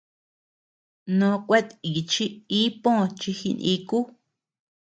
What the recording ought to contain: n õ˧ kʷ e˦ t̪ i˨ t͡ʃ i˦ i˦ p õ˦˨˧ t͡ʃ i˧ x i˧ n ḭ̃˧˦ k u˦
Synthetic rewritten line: n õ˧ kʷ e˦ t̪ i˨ t͡ʃ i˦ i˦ p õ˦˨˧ t͡ʃ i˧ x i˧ n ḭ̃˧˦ k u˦